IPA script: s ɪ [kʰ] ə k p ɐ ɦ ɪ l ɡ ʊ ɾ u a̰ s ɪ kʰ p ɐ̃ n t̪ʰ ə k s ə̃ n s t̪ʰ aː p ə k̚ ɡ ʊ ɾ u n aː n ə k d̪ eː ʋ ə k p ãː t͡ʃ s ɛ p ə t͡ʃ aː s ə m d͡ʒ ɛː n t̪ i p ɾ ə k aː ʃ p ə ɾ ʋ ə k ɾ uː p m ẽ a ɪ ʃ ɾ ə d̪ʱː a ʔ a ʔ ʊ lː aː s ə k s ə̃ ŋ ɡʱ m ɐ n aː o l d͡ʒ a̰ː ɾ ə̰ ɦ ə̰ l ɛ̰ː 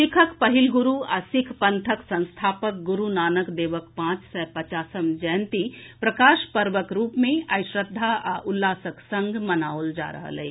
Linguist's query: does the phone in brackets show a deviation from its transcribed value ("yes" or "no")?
no